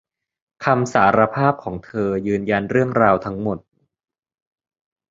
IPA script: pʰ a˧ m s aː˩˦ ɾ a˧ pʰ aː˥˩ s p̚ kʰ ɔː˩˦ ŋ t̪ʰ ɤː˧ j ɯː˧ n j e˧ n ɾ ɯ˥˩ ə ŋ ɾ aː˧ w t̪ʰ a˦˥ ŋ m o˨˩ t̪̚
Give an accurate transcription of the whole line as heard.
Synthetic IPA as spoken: kʰ a˧ m s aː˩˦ ɾ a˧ pʰ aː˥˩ p̚ kʰ ɔː˩˦ ŋ t̪ʰ ɤː˧ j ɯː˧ n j a˧ n ɾ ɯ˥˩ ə ŋ ɾ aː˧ w t̪ʰ a˦˥ ŋ m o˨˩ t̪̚